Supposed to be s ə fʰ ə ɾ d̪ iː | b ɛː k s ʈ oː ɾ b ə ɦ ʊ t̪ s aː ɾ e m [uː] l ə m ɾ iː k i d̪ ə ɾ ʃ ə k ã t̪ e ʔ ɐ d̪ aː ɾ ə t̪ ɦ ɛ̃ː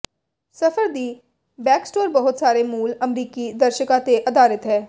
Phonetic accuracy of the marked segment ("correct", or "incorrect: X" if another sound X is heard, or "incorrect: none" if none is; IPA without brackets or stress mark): correct